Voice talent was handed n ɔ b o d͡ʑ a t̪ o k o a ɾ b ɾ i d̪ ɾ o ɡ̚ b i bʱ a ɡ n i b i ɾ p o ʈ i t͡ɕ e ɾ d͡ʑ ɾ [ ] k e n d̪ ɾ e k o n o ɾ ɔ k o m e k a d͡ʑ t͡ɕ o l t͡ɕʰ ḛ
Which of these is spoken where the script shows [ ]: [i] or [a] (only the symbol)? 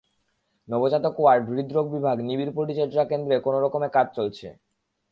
a